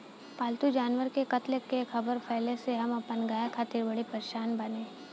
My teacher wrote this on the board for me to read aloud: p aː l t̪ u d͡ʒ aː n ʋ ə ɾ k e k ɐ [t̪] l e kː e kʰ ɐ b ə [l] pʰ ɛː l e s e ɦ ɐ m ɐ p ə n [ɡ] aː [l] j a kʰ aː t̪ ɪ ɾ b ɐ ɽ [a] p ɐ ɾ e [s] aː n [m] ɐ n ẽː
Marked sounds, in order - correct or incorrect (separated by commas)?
correct, incorrect, correct, incorrect, incorrect, incorrect, incorrect